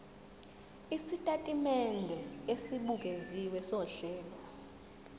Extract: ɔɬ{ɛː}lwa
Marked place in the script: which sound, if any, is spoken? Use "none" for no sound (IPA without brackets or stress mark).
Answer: ɛː